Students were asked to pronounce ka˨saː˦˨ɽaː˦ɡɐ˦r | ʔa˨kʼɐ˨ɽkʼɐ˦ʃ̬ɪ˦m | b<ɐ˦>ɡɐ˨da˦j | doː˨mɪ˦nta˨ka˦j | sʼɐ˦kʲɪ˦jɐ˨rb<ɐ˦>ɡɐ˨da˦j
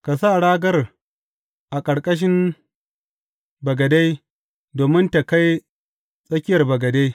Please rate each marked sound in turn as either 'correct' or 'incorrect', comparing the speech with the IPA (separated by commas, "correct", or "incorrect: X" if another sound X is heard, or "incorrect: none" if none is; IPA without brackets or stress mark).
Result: incorrect: ɐ˨, incorrect: ɐ˨